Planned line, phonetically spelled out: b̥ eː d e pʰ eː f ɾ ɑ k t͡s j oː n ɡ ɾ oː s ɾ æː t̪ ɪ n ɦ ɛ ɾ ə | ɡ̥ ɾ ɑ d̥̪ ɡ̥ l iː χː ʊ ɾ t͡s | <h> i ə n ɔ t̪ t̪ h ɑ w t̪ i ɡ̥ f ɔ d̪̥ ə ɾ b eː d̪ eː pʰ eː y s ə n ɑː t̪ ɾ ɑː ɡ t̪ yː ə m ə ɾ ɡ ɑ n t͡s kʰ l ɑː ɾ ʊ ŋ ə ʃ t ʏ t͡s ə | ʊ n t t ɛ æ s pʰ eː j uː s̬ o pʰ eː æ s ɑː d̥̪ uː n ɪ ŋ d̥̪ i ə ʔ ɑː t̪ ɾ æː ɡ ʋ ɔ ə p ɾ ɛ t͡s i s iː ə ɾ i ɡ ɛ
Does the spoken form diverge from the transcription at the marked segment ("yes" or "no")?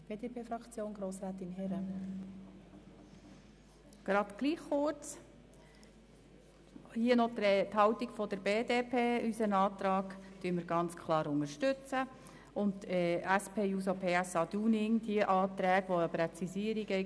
no